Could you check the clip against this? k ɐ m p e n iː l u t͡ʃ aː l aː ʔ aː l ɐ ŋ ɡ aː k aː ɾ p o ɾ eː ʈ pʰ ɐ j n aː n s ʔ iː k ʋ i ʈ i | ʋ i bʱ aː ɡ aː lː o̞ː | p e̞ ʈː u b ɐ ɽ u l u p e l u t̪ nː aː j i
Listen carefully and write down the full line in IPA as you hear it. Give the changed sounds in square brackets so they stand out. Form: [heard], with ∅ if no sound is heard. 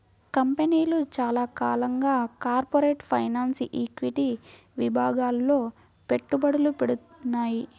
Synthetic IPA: k ɐ m p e n iː l u t͡ʃ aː l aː [k] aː l ɐ ŋ ɡ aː k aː ɾ p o ɾ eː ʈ pʰ ɐ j n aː n s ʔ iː k ʋ i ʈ i | ʋ i bʱ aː ɡ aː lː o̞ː | p e̞ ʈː u b ɐ ɽ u l u p e [ɽ] u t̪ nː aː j i